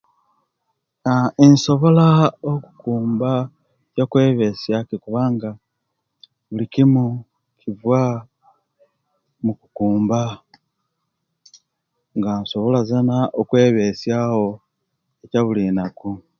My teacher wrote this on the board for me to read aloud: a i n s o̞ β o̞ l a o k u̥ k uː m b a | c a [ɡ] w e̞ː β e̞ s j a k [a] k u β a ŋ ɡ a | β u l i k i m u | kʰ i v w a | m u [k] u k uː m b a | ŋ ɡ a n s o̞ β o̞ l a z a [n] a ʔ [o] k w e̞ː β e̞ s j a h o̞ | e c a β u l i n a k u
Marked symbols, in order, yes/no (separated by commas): no, no, yes, yes, yes